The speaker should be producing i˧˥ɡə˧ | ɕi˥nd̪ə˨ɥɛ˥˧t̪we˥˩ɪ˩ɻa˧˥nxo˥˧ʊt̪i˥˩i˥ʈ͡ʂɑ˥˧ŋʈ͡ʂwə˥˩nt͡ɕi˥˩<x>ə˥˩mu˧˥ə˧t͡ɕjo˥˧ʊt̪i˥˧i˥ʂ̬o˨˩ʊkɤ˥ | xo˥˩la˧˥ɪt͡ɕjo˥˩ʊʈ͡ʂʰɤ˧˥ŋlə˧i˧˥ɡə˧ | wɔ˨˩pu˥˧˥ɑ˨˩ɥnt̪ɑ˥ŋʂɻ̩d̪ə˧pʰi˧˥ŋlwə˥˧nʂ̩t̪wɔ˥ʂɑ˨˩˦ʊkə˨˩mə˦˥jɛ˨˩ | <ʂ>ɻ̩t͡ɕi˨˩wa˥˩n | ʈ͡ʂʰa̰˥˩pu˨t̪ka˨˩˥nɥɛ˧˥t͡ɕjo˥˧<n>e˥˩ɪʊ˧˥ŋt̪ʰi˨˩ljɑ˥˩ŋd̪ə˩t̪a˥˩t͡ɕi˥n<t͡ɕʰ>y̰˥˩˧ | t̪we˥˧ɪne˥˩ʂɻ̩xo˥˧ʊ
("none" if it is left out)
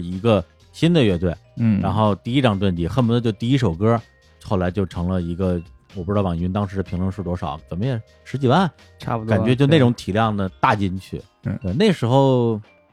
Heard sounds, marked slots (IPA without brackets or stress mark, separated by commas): x, ʂ, n, t͡ɕʰ